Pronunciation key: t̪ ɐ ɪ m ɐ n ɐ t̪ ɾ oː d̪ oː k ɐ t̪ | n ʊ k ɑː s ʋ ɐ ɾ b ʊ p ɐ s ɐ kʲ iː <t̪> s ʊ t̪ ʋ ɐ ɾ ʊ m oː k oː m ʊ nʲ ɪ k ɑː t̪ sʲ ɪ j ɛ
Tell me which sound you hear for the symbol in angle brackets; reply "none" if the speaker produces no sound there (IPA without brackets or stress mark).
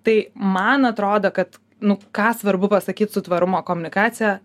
t̪